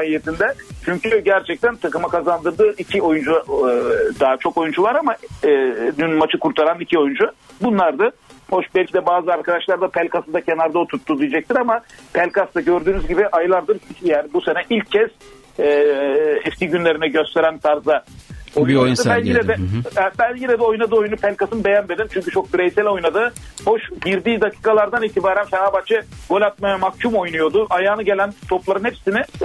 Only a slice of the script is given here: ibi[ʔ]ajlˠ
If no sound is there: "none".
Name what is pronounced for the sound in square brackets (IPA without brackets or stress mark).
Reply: ʔ